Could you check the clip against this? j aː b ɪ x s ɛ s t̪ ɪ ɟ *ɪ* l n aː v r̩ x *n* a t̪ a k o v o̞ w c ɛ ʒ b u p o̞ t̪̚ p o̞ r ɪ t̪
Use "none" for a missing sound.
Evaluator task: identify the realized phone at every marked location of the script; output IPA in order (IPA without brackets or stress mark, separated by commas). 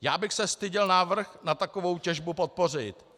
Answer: ɪ, n